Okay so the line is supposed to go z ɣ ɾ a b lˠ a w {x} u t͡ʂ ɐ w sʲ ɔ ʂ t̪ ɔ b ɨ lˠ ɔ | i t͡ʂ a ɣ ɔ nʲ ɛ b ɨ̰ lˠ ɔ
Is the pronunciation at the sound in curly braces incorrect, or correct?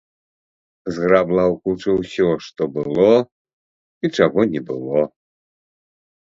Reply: incorrect